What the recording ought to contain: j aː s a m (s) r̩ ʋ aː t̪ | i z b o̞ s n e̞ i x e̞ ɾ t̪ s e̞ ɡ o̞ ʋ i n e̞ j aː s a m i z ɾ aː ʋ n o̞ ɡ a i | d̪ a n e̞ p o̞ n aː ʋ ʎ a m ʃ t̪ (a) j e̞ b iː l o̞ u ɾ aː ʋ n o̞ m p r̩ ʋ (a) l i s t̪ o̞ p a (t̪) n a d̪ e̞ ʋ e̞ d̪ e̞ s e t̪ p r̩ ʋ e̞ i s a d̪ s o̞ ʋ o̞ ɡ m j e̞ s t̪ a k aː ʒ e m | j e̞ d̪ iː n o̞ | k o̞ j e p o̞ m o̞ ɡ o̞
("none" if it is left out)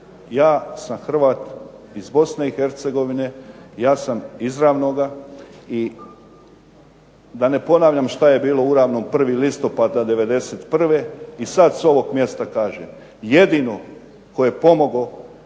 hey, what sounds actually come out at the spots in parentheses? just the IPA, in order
x, a, i, d̪

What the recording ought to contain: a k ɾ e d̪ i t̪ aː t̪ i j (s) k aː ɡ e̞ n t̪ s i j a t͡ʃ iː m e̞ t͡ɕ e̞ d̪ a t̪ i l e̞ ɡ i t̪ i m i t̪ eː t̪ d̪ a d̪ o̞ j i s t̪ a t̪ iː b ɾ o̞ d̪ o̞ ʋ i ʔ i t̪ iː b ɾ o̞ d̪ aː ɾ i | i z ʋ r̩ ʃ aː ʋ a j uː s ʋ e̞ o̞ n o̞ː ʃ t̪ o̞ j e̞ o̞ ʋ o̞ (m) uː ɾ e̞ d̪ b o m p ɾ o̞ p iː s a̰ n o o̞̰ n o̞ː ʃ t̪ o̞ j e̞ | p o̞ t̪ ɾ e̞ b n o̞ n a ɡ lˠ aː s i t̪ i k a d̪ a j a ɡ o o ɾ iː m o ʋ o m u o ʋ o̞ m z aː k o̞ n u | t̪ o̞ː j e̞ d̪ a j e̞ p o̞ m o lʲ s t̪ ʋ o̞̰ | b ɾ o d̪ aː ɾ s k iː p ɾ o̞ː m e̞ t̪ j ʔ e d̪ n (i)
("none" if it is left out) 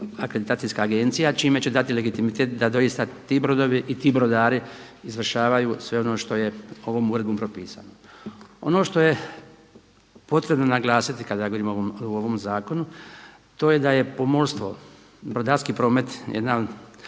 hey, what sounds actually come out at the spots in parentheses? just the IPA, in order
s, m, a

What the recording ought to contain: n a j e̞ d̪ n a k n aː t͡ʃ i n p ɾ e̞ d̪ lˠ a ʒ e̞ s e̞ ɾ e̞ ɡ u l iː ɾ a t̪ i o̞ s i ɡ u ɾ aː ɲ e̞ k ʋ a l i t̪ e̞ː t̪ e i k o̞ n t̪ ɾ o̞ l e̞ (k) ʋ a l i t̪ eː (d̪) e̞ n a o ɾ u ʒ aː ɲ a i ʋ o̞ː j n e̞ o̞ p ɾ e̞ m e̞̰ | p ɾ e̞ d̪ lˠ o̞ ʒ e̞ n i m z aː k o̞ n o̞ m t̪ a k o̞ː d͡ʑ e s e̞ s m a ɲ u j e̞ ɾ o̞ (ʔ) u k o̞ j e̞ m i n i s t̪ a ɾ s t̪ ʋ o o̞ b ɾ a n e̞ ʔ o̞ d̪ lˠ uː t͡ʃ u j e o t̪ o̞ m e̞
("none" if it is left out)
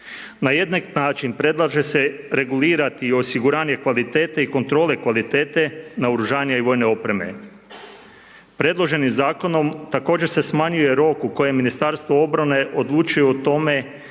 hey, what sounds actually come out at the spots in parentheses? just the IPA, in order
k, t̪, k

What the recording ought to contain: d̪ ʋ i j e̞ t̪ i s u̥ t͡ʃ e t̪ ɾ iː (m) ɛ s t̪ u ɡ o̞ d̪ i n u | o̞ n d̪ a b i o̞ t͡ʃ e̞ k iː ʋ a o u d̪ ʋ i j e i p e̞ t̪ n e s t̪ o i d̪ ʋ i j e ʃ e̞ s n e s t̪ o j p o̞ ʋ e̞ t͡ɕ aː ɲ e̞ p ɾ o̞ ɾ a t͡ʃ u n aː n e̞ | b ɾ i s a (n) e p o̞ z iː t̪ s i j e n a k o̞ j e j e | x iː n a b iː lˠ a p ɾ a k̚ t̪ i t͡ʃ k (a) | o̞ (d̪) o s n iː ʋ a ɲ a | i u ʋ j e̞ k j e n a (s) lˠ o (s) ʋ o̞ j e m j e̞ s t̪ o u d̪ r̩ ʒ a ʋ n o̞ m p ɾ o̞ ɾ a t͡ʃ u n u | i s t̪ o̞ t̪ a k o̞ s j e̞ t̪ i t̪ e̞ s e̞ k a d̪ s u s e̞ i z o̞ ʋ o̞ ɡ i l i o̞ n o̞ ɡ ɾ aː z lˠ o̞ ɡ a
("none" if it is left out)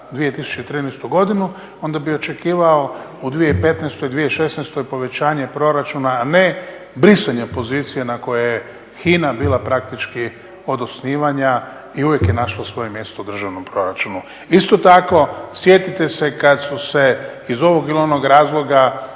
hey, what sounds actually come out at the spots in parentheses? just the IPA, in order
n, ɲ, i, d̪, ʃ, s

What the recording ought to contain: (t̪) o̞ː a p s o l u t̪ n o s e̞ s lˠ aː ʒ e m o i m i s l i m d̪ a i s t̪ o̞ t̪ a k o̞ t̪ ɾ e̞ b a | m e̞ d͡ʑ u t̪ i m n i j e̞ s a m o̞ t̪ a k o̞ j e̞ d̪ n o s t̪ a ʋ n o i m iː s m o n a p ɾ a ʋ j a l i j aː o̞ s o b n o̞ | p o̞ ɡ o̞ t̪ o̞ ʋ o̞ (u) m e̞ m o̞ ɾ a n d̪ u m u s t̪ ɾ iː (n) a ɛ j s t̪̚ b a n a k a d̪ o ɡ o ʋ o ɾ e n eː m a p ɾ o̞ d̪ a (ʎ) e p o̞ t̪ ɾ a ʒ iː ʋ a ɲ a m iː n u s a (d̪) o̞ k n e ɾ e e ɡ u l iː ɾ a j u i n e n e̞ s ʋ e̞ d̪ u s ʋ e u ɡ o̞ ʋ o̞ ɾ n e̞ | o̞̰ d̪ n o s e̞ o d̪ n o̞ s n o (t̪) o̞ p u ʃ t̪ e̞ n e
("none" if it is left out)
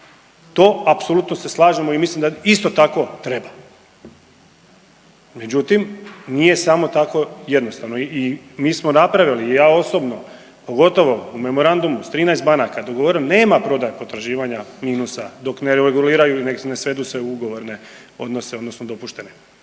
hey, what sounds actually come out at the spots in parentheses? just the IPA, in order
t̪, u, n, j, d̪, d̪

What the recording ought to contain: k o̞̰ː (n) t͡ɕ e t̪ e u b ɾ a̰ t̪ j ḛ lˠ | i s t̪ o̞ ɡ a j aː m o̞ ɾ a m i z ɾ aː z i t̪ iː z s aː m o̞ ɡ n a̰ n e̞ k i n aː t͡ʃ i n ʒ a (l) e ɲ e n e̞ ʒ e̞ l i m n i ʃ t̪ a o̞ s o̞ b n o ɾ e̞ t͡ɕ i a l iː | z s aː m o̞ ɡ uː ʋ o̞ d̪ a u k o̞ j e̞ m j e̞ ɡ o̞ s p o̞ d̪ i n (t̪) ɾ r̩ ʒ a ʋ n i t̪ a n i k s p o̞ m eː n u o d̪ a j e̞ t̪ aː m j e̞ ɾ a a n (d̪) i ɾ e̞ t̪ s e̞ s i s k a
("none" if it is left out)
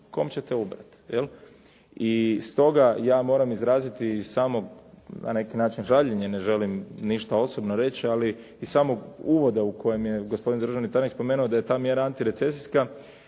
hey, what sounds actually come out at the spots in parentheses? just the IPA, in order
m, ʎ, d̪, t̪

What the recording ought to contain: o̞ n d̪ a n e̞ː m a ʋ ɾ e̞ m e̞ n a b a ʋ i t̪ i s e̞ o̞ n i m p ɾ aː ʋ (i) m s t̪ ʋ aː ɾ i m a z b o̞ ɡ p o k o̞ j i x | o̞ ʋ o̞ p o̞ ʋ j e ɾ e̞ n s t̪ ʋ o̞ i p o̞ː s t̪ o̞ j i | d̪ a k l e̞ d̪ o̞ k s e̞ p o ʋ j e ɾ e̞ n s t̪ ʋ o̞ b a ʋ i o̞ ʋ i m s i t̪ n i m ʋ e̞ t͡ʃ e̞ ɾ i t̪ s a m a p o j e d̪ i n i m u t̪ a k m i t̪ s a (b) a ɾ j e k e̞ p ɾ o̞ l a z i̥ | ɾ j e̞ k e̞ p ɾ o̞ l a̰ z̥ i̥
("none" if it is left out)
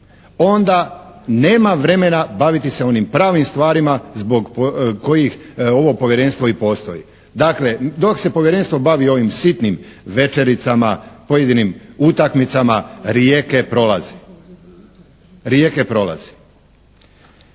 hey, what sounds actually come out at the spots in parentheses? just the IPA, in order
i, m

